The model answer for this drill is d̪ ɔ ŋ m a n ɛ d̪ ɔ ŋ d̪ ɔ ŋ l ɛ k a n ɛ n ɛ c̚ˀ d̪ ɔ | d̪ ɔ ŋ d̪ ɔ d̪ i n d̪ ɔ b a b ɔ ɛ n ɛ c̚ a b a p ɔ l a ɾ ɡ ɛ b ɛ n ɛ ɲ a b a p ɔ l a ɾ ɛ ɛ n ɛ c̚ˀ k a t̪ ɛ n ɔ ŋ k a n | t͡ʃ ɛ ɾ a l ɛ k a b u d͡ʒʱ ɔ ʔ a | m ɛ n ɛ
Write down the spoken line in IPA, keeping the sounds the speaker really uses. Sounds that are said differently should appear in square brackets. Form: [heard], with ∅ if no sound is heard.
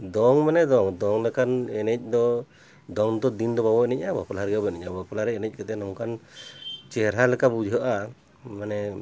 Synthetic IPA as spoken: d̪ ɔ ŋ m a n ɛ d̪ ɔ ŋ d̪ ɔ ŋ l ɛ k a n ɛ n ɛ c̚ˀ d̪ ɔ | d̪ ɔ ŋ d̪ ɔ d̪ i n d̪ ɔ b a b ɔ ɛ n ɛ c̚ a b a p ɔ l a ɾ ɡ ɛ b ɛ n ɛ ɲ a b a p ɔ l a ɾ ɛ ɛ n ɛ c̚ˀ k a t̪ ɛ n ɔ ŋ k a n | t͡ʃ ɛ ɾ a l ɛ k a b u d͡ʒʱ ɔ ʔ a | m [a] n ɛ